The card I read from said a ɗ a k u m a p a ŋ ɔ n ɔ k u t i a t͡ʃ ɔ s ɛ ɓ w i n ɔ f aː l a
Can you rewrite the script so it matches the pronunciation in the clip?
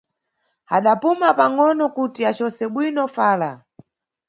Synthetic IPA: a ɗ a p u m a p a ŋ ɔ n ɔ k u t i a t͡ʃ ɔ s ɛ ɓ w i n ɔ f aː l a